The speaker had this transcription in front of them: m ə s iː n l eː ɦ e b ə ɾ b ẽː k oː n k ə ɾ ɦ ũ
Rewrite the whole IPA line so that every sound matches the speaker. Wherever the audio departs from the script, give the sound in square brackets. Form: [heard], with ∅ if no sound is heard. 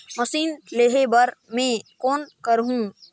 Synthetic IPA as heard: m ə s iː n l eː ɦ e b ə ɾ [m] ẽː k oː n k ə ɾ ɦ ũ